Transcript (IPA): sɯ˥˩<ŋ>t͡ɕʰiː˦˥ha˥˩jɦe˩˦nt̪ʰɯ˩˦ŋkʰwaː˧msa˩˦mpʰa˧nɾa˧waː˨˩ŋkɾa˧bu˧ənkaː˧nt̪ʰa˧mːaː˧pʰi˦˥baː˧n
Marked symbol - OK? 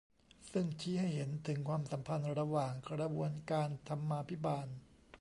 yes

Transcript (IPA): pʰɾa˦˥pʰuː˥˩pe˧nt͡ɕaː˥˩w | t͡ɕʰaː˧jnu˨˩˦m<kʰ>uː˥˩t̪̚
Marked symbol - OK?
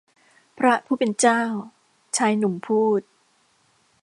no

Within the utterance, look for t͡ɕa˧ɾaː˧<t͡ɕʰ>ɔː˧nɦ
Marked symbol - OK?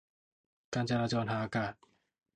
no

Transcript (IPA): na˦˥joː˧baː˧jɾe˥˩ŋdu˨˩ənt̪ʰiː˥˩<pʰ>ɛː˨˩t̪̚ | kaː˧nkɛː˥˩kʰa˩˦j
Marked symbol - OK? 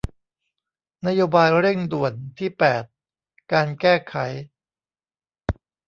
no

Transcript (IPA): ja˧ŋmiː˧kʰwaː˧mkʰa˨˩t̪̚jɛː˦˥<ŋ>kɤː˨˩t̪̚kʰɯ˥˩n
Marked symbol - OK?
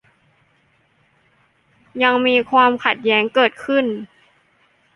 yes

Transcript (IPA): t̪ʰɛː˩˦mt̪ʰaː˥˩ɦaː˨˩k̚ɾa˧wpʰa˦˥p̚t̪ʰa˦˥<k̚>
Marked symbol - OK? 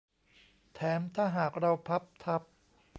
no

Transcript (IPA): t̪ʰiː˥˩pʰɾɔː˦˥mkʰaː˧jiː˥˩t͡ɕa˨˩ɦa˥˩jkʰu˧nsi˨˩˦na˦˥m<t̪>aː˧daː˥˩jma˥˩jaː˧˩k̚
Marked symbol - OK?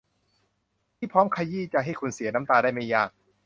yes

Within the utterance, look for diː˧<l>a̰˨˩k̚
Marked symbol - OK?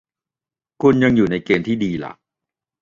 yes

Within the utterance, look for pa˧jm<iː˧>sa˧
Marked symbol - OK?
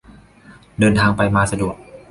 no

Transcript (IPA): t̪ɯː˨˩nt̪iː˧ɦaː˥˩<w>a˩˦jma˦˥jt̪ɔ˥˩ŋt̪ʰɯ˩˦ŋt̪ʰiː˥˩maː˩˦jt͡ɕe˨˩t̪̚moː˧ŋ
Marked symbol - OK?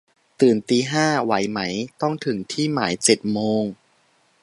yes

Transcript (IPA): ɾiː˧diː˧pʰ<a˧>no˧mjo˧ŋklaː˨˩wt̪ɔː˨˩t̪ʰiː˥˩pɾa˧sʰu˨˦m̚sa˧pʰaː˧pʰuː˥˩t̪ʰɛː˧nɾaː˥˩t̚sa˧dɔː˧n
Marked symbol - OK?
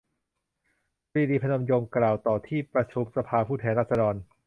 yes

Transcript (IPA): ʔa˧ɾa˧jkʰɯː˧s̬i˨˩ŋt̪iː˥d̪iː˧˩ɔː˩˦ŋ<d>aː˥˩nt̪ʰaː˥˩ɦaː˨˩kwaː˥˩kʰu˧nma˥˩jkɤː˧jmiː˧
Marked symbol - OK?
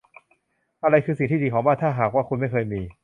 no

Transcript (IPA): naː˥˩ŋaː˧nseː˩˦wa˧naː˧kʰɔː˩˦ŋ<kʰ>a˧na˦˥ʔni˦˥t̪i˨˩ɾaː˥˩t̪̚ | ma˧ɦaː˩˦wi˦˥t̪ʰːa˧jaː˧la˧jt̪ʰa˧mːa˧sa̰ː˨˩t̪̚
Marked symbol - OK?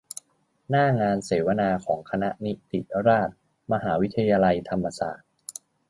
yes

